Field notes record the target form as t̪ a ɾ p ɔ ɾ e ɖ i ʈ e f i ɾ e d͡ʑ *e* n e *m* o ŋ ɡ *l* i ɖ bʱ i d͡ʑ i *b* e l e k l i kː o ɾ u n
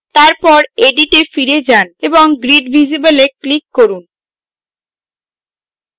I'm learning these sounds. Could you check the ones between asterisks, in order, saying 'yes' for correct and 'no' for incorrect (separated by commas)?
no, no, no, yes